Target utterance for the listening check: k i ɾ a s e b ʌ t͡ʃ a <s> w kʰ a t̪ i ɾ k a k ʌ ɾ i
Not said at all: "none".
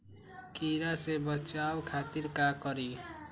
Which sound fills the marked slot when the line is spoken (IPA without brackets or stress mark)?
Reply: none